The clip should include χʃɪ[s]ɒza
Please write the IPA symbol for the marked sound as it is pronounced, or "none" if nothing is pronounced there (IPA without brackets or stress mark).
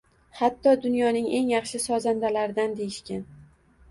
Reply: s